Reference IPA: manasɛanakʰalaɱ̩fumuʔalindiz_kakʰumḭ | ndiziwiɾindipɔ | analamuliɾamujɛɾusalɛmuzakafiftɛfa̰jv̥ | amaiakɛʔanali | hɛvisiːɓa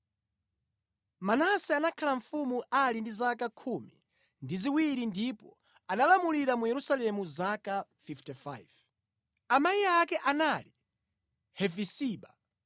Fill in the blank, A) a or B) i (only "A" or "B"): A